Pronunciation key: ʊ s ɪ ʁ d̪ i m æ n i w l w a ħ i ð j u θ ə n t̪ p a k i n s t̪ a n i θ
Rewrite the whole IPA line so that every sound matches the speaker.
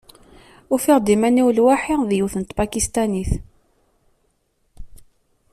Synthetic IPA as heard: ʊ f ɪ ʁ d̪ i m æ n i w l w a ħ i ð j u θ ə n t̪ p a k i s t̪ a n i θ